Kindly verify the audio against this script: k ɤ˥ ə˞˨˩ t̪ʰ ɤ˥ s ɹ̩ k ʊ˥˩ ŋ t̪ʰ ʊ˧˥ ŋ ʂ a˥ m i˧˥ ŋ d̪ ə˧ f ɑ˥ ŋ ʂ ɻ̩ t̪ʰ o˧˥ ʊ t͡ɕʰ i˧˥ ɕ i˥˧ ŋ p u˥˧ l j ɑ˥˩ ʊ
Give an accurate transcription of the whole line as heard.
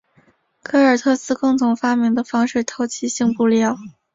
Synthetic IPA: kʰ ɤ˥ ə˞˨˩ t̪ʰ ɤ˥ s ɹ̩ k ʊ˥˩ ŋ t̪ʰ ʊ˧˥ ŋ f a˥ m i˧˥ ŋ d̪ ə˧ f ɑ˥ ŋ ʂ ɻ̩ t̪ʰ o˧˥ ʊ t͡ɕʰ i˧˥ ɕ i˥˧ ŋ p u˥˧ l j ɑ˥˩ ʊ